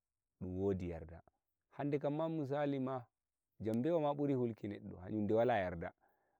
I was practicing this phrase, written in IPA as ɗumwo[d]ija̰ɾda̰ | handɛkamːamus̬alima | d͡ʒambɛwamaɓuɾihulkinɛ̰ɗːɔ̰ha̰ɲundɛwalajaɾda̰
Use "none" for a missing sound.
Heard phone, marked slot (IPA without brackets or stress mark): d